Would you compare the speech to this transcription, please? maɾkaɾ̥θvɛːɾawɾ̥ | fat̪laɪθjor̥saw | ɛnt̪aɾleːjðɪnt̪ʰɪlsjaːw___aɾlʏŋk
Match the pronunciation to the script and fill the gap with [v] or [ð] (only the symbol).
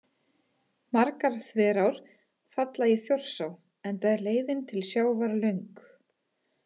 v